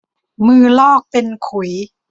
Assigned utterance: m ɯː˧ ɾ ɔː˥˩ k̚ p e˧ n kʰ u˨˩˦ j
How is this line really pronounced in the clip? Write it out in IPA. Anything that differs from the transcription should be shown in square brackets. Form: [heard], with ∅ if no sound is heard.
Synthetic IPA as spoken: m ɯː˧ [l] ɔː˥˩ k̚ p e˧ n kʰ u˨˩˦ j